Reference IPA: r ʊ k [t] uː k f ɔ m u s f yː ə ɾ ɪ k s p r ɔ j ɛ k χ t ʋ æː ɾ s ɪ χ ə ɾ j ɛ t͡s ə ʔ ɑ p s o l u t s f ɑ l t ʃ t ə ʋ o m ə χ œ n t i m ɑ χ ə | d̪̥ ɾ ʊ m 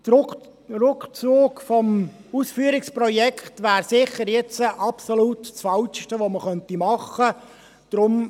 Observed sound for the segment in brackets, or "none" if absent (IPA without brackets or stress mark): t͡s